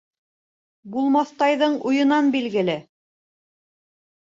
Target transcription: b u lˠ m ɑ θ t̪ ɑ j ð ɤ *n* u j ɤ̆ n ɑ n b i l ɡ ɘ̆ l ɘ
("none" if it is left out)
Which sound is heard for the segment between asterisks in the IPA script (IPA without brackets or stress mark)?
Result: ɴ